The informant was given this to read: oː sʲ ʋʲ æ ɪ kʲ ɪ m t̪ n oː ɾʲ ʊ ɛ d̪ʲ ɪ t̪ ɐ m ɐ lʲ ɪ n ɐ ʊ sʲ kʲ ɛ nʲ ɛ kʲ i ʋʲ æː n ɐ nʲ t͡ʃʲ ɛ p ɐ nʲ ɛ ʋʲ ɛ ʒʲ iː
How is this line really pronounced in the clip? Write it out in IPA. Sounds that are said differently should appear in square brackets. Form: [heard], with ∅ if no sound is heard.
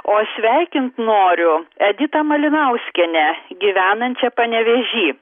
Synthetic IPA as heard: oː sʲ ʋʲ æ ɪ kʲ ɪ [n] t̪ n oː ɾʲ ʊ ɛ d̪ʲ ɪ t̪ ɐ m ɐ lʲ ɪ n ɐ ʊ sʲ kʲ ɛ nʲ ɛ [ɡʲ] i ʋʲ æː n ɐ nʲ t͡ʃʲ ɛ p ɐ nʲ ɛ ʋʲ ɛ ʒʲ iː